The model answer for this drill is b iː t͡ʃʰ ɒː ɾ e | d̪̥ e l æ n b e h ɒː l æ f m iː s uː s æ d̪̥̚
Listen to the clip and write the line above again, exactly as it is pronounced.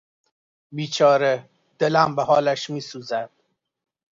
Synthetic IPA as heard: b iː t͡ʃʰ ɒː ɾ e | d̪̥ e l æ m b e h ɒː l æ ʃ m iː s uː z æ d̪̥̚